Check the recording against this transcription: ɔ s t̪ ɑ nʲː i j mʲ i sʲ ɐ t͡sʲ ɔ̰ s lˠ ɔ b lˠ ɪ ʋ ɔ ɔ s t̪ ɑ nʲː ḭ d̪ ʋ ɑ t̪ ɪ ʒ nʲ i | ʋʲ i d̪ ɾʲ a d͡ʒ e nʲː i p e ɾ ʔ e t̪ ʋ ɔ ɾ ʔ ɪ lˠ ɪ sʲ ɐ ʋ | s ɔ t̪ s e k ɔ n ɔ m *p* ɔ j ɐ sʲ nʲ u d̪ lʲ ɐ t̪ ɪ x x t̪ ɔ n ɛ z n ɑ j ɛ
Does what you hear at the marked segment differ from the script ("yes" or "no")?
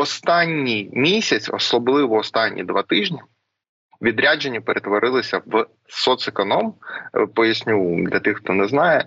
no